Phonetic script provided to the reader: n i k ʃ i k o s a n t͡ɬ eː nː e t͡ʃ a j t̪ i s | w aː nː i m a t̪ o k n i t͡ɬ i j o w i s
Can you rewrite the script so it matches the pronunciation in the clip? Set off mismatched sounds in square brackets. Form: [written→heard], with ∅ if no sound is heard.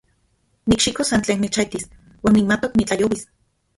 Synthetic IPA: n i k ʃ i k o s a n t͡ɬ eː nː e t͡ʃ a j t̪ i s | w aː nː i m a t̪ o k n i t͡ɬ [i→a] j o w i s